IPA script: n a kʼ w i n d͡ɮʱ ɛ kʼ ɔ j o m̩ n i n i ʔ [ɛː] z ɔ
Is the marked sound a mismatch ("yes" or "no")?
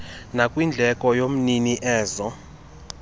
no